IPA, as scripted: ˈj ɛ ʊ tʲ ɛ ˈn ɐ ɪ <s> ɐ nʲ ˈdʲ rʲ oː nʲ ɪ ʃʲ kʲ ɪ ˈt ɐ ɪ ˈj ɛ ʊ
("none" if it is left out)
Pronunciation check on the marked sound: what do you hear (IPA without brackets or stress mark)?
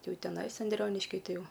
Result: s